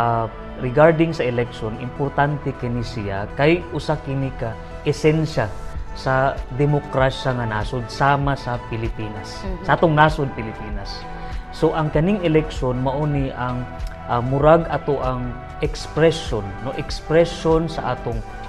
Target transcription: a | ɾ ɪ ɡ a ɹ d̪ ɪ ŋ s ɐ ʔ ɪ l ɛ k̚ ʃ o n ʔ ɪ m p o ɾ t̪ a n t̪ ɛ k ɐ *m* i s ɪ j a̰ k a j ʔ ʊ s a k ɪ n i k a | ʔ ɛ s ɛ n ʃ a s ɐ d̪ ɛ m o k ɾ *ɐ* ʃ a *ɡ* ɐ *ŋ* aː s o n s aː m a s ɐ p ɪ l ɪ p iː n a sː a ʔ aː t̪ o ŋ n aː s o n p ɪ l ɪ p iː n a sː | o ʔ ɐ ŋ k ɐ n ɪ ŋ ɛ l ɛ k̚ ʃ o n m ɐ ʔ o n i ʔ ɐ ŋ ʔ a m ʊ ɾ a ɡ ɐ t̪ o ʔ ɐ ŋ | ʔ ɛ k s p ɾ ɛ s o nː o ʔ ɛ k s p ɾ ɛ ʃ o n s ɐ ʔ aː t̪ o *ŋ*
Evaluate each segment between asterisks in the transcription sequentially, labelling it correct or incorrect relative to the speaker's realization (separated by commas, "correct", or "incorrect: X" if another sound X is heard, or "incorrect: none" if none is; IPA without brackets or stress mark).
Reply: incorrect: n, incorrect: a, incorrect: ŋ, incorrect: n, correct